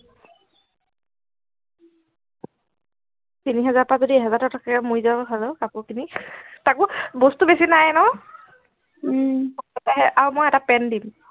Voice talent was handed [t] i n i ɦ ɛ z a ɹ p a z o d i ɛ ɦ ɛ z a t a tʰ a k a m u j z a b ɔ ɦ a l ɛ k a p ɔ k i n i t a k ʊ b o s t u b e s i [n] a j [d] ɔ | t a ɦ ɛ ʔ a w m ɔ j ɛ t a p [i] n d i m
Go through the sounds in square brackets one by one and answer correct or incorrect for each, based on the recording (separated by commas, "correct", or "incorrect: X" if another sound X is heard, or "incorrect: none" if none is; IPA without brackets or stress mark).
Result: correct, correct, incorrect: n, incorrect: ɛ